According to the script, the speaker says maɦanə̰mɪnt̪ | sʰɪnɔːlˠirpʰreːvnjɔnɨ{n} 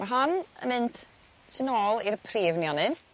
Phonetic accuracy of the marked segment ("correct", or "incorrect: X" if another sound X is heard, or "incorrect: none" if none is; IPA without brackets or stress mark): correct